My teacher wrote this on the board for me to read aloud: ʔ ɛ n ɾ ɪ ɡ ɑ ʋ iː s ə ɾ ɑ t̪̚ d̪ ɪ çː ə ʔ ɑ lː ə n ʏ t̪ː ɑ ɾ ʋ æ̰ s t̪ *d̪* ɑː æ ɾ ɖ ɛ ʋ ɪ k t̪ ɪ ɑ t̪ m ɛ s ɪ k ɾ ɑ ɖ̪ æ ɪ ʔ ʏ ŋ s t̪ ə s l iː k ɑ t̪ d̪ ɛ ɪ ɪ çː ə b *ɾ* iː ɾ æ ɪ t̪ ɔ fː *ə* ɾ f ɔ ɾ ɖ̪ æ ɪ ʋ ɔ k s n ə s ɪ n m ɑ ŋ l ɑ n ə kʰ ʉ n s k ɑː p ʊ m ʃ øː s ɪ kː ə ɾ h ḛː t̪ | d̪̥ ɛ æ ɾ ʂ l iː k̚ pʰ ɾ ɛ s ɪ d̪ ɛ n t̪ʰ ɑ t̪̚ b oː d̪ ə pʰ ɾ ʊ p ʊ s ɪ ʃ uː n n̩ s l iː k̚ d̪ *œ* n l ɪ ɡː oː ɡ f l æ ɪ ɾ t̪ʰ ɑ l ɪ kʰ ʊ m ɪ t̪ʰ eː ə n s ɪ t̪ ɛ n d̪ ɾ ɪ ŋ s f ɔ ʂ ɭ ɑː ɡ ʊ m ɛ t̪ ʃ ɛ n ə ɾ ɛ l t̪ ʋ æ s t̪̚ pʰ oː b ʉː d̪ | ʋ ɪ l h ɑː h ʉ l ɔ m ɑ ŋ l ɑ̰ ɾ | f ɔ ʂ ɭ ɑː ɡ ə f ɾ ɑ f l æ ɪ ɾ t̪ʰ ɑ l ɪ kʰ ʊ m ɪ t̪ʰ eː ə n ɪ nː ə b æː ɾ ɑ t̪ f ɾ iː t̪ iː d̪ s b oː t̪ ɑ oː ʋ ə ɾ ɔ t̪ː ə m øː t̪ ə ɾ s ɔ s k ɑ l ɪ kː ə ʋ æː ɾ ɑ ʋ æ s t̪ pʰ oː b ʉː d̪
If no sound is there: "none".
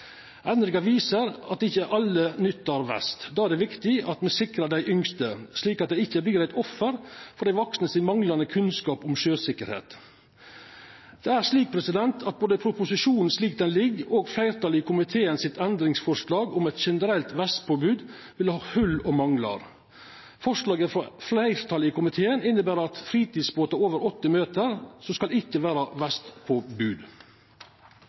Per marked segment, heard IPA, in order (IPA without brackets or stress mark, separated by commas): d̪, l, ə, ɛ